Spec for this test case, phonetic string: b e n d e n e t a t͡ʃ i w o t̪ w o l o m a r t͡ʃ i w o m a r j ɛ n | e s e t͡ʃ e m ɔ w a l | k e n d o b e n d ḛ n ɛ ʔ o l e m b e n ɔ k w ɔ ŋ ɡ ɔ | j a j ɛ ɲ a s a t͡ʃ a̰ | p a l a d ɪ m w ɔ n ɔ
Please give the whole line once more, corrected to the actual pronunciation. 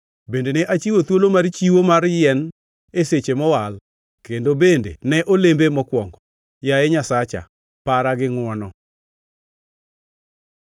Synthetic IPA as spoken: b e n d e n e ʔ a t͡ʃ i w o t̪ w o l o m a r t͡ʃ i w o m a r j ɛ n | e s e t͡ʃ e m ɔ w a l | k e n d o b e n d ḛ n ɛ ʔ o l e m b e m ɔ k w ɔ ŋ ɡ ɔ | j a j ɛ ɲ a s a t͡ʃ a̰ | p a ɾ a ɡ ɪ ŋ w ɔ n ɔ